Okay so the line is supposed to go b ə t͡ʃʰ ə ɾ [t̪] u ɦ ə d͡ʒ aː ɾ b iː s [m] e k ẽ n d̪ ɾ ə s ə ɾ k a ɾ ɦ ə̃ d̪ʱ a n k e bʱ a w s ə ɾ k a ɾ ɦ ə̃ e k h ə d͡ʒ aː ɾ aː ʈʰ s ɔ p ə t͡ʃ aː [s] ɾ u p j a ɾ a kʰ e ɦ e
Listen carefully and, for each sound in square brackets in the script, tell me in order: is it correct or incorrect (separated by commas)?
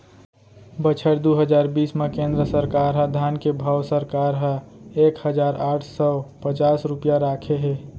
incorrect, correct, correct